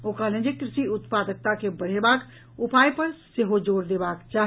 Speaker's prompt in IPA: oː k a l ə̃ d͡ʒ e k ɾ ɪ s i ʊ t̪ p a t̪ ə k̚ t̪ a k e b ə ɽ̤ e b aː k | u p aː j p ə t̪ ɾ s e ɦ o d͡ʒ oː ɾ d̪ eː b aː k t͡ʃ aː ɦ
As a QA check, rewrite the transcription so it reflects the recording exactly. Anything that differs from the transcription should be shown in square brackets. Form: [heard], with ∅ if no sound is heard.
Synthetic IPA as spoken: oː k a l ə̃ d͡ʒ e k ɾ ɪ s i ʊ t̪ p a [d̪] ə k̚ t̪ a k e b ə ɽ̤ e b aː k | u p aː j p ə [∅] ɾ s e ɦ o d͡ʒ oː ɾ d̪ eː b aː k t͡ʃ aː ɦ